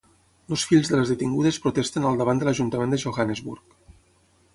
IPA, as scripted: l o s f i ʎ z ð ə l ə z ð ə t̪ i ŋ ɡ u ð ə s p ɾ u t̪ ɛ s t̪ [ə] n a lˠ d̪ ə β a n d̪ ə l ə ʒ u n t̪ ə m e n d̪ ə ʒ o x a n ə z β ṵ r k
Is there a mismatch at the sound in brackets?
no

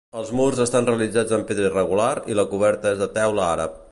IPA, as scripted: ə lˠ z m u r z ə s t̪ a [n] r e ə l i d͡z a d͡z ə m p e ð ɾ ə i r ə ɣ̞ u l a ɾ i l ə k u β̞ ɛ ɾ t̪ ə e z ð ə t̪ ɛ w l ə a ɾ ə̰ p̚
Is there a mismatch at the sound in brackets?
no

